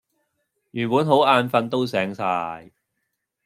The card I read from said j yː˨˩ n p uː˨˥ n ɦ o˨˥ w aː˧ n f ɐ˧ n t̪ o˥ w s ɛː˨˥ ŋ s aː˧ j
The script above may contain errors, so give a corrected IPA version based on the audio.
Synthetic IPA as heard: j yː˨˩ n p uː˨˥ n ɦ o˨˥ w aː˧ n f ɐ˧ n t̪ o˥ w s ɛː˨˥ ŋ s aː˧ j

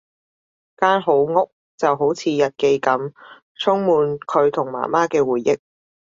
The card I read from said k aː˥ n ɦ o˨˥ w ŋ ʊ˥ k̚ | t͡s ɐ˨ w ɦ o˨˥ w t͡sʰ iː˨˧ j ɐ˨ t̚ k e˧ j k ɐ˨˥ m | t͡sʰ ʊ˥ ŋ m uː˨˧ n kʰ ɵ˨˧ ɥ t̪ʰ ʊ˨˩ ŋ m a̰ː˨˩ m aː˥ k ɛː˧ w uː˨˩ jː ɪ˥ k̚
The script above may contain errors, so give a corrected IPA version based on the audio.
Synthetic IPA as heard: k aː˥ n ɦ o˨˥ w ŋ ʊ˥ k̚ | t͡s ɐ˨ w ɦ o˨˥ w t͡sʰ iː˨˧ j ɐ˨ t̚ k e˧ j k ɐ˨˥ m | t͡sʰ ʊ˥ ŋ m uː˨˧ n kʰ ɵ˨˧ ɥ t̪ʰ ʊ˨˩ ŋ m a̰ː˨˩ m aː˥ k ɛː˧ w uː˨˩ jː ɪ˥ k̚

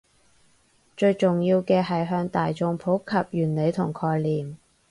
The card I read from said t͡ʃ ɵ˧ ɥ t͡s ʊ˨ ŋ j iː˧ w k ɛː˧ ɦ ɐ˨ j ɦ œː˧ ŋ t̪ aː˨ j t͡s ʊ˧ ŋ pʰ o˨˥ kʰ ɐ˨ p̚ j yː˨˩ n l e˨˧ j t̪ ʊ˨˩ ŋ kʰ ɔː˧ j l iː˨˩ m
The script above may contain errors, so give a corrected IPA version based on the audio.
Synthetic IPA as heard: t͡ʃ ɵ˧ ɥ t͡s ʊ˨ ŋ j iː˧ w k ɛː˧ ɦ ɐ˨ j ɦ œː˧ ŋ t̪ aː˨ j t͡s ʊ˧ ŋ pʰ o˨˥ kʰ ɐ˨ p̚ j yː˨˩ n l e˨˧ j t̪ʰ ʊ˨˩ ŋ kʰ ɔː˧ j l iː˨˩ m

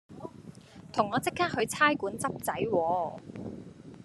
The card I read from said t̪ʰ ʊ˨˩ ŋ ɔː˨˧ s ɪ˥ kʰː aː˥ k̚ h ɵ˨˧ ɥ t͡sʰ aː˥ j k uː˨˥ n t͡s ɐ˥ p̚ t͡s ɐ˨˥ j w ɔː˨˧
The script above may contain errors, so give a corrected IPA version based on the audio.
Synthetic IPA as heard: t̪ʰ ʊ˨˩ ŋ ɔː˨˧ t͡s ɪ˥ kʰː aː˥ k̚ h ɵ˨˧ ɥ t͡sʰ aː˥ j k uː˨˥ n t͡s ɐ˥ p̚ t͡s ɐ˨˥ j w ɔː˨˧

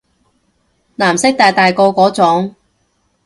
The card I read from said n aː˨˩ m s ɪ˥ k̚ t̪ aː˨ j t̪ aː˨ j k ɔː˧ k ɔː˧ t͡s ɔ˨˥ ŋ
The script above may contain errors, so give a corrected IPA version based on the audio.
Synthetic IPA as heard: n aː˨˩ m s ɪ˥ k̚ t̪ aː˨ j t̪ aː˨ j k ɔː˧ k ɔː˨˥ t͡s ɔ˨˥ ŋ

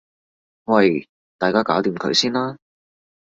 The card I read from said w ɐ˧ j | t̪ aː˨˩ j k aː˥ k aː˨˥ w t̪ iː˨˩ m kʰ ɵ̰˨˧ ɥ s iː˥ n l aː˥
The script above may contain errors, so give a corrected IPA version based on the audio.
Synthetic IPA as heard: w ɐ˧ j | t̪ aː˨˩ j k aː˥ k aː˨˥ w t̪ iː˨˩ m kʰ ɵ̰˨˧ ɥ s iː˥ n l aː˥

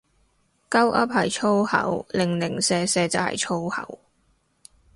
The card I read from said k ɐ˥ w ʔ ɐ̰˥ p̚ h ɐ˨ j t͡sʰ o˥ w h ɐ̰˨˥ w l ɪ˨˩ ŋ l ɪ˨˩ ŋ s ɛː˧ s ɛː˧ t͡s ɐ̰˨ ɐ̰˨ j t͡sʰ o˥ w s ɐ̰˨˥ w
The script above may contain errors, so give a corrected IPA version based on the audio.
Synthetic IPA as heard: k ɐ˥ w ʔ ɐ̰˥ p̚ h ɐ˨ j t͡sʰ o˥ w h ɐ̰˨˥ w l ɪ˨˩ ŋ l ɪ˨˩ ŋ s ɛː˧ s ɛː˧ t͡s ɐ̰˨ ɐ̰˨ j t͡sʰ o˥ w h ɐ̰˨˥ w

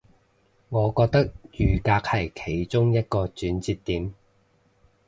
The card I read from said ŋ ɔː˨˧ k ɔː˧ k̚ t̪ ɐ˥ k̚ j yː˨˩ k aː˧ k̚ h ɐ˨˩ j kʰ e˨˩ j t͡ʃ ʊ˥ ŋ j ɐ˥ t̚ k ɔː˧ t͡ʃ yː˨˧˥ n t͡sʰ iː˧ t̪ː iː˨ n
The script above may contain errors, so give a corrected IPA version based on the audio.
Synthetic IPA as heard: ŋ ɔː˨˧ k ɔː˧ k̚ t̪ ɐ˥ k̚ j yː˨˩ k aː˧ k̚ h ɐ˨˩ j kʰ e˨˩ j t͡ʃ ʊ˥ ŋ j ɐ˥ t̚ k ɔː˧ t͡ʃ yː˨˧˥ n t͡s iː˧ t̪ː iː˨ m

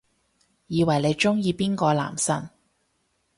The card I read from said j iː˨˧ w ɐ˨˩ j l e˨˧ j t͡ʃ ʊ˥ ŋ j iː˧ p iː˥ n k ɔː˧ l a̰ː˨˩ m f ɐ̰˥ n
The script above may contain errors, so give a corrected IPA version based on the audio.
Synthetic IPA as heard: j iː˨˧ w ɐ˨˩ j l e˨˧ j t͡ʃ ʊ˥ ŋ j iː˧ p iː˥ n k ɔː˧ l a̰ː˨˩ m s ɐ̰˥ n

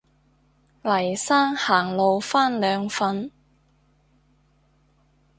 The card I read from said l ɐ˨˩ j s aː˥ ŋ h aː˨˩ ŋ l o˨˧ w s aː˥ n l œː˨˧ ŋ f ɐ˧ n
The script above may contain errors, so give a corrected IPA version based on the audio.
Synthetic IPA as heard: l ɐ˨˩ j s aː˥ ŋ h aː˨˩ ŋ l o˨˧ w f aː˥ n l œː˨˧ ŋ f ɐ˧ n

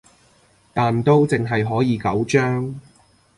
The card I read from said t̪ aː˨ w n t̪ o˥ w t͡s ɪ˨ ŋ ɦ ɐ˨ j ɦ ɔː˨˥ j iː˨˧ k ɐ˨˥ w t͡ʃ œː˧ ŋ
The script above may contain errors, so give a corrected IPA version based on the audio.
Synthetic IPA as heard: t̪ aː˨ n t̪ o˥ w t͡s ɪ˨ ŋ ɦ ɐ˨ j ɦ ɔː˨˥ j iː˨˧ k ɐ˨˥ w t͡ʃ œː˥ ŋ

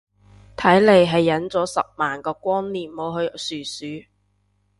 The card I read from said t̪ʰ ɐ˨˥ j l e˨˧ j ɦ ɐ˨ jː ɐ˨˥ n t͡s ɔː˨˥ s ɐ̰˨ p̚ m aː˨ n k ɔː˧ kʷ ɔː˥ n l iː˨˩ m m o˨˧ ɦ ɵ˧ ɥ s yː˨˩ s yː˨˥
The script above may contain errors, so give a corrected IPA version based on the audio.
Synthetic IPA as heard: t̪ʰ ɐ˨˥ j l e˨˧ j ɦ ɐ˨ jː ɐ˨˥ n t͡s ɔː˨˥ s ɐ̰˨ p̚ m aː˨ n k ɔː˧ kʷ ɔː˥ n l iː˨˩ m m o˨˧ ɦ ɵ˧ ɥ s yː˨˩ s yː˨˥

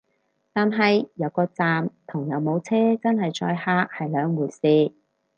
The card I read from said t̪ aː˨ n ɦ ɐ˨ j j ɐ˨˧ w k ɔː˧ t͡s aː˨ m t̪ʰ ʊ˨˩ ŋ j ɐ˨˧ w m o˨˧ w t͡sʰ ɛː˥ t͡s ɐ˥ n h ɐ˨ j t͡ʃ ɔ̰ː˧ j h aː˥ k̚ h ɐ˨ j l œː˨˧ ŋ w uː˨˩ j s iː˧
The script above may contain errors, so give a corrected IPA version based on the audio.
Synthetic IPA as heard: t̪ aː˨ n ɦ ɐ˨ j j ɐ˨˧ w k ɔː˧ t͡s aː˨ m t̪ʰ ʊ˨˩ ŋ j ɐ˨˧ w m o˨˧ w t͡sʰ ɛː˥ t͡s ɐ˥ n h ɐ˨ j t͡ʃ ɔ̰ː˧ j h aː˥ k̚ h ɐ˨ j l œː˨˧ ŋ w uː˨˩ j s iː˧

